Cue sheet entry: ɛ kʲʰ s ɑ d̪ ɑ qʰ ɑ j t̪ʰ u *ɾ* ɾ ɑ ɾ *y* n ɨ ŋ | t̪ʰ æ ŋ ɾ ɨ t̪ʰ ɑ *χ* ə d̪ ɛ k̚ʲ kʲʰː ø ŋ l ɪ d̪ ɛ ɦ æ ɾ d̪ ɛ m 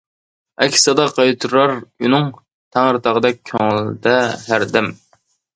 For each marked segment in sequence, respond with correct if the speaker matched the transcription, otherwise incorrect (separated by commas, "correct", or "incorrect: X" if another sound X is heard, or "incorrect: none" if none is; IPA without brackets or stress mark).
correct, correct, incorrect: ʁ